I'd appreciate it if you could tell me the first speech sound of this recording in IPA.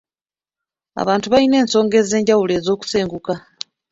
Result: a̰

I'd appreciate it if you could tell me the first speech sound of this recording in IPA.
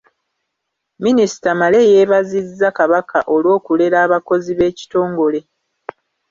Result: m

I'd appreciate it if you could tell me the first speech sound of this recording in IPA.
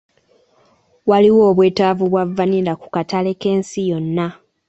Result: w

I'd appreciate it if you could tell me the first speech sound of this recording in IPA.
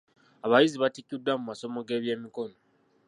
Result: a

